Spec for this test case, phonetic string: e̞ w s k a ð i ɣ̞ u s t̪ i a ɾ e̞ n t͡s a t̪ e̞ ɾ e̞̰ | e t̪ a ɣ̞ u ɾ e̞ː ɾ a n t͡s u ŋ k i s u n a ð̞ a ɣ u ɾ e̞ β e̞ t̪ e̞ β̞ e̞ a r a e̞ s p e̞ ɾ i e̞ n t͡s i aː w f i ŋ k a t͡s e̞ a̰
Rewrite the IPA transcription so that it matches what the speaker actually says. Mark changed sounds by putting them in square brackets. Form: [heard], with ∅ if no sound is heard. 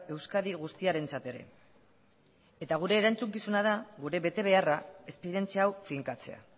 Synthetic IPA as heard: e̞ w s k a ð i ɣ̞ u s t̪ i a ɾ e̞ n t͡s a t̪ e̞ ɾ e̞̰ | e t̪ a ɣ̞ u ɾ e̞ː ɾ a n t͡s u ŋ k i s u n a ð̞ a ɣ u ɾ e̞ β e̞ t̪ e̞ β̞ e̞ a r a e̞ s p e̞ ɾ i e̞ n t͡s i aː w f i ŋ k a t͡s e̞ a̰